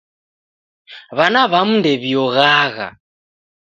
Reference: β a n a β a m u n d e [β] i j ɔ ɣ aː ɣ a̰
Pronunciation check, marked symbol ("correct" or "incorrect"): correct